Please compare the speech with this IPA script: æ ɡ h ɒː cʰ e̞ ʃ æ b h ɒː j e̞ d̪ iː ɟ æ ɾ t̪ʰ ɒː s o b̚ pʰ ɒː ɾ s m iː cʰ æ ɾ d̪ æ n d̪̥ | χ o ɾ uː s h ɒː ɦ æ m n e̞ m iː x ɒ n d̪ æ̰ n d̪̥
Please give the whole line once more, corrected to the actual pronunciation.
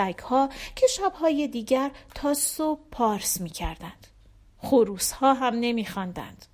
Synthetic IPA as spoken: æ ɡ h ɒː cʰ e̞ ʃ æ b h ɒː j e̞ d̪ iː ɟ æ ɾ t̪ʰ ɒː s o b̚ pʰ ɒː ɾ s m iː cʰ æ ɾ d̪ æ n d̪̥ | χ o ɾ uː s h ɒː ɦ æ m n e̞ m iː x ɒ n d̪ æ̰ n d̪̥